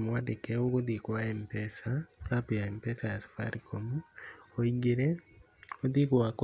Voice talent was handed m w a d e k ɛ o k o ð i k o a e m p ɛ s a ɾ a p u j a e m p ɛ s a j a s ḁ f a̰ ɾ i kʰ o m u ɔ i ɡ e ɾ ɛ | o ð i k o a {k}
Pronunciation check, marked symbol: correct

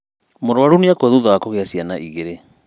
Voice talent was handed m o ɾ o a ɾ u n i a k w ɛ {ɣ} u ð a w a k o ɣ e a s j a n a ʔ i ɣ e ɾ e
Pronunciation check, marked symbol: incorrect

